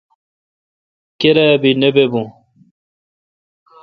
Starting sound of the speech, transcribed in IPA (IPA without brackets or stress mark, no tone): k